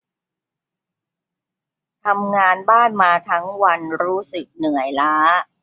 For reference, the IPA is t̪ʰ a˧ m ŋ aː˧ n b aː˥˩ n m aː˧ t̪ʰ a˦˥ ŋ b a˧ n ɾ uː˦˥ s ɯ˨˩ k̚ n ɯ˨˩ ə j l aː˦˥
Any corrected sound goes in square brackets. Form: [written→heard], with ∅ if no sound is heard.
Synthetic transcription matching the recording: t̪ʰ a˧ m ŋ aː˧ n b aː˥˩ n m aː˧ t̪ʰ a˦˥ ŋ [b→w] a˧ n ɾ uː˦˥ s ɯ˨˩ k̚ n ɯ˨˩ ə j l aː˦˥